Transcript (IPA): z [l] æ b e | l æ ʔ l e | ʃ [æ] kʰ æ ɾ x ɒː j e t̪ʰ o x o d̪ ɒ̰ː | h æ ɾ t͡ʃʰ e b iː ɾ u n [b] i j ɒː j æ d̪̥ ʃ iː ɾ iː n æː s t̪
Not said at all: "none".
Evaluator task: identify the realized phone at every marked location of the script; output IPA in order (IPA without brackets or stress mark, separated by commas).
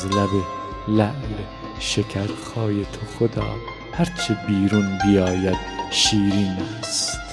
l, e, b